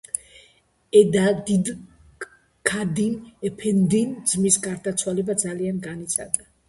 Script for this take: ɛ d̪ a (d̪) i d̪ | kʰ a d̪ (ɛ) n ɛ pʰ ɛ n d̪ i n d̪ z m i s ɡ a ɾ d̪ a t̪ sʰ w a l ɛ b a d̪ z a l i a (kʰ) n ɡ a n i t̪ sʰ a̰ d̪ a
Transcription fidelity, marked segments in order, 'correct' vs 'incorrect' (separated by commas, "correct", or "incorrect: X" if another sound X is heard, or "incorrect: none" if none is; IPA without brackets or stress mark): correct, incorrect: i, incorrect: none